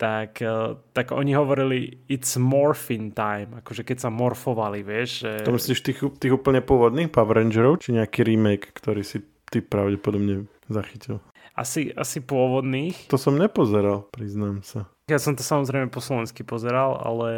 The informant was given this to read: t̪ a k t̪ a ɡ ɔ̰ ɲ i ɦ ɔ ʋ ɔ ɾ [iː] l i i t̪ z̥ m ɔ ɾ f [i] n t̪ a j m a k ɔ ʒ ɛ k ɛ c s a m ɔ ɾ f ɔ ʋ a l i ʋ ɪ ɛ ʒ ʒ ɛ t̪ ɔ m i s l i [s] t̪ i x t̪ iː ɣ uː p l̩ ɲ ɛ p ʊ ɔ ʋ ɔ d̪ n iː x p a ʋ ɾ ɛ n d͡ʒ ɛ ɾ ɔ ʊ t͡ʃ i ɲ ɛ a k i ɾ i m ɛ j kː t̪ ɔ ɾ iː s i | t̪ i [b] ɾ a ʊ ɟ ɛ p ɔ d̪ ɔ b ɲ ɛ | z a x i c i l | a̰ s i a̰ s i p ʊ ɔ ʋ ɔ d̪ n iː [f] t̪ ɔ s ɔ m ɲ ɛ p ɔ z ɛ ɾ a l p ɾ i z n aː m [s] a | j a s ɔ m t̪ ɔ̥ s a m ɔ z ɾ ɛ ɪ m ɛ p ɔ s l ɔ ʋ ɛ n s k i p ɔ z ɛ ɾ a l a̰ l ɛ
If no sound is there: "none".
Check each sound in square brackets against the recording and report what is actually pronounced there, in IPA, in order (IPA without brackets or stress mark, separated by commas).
i, i, ʃ, p, x, s